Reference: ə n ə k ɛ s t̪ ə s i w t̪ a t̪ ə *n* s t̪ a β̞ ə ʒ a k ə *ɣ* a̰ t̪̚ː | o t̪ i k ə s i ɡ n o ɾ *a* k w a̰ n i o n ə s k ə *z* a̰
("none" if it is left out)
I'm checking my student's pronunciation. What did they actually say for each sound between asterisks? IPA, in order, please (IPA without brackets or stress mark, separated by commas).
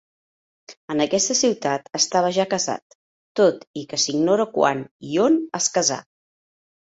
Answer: none, z, ə, z